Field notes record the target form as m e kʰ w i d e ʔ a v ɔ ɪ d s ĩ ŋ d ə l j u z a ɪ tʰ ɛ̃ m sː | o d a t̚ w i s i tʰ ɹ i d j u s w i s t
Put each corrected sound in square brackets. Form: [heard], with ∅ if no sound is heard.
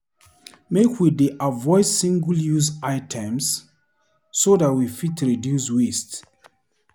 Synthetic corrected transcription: m e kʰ w i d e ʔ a v ɔ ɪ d s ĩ ŋ [ɡ] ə l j u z a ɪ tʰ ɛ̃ m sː | o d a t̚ w i [f] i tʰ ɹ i d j u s w i s t